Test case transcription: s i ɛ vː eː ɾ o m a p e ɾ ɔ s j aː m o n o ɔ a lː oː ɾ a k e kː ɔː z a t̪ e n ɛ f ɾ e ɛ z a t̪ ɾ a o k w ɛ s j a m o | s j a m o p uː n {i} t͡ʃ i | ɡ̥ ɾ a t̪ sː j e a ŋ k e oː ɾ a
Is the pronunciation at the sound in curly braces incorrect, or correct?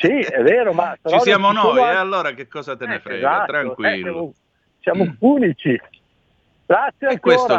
correct